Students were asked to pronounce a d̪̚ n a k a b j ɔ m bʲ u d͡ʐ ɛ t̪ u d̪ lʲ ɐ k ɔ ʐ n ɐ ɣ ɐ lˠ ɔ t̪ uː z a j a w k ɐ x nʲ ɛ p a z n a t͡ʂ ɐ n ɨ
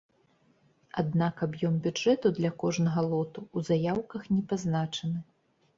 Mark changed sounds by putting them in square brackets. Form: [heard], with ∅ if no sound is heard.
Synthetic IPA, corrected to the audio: a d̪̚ n a k a b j ɔ m bʲ u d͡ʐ ɛ t̪ u d̪ lʲ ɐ k ɔ ʐ n ɐ ɣ ɐ lˠ ɔ t̪ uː z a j a w k ɐ x nʲ ɛ p a z n a t͡ʂ ɐ n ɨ